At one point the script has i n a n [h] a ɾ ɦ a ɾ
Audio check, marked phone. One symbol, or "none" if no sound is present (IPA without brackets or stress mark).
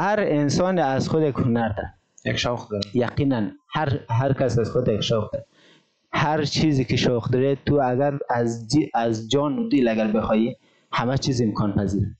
h